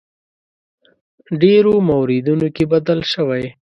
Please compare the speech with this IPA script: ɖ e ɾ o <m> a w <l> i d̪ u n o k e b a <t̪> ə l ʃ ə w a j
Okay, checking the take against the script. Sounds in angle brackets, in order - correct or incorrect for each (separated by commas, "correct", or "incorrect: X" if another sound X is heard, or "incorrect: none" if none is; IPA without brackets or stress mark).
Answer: correct, incorrect: ɾ, incorrect: d̪